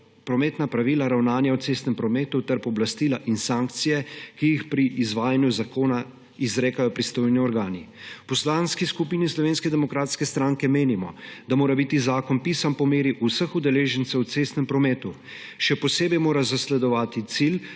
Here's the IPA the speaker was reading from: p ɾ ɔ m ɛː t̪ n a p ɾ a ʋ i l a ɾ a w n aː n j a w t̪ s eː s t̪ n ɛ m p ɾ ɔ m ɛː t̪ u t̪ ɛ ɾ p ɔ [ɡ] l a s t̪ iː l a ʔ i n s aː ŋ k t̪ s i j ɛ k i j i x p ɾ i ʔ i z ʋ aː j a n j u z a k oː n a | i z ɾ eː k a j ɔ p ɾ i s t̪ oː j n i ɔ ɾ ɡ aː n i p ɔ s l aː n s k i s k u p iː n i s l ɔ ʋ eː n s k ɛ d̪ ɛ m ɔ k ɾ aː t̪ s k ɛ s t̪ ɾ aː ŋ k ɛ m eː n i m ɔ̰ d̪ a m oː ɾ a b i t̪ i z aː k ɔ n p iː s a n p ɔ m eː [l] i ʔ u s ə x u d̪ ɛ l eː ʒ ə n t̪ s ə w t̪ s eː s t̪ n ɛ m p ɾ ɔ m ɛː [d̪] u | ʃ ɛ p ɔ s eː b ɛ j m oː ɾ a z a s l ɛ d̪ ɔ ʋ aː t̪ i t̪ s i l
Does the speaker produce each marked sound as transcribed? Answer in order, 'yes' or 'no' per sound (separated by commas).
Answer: no, no, no